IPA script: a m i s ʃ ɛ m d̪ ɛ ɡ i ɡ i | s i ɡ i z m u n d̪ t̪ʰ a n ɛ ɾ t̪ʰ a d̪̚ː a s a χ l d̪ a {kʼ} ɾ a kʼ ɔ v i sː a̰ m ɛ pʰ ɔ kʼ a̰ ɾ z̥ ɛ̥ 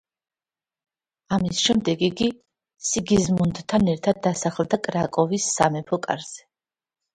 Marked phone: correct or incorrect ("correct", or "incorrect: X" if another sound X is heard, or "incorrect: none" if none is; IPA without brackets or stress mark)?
correct